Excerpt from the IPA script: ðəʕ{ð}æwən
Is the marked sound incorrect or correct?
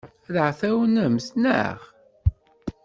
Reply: incorrect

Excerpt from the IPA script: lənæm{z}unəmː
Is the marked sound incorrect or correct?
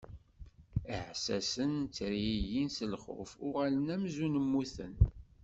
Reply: correct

